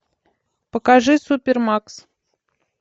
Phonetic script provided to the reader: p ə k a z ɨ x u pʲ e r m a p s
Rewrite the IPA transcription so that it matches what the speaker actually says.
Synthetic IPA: p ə k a ʐ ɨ s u pʲ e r m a k s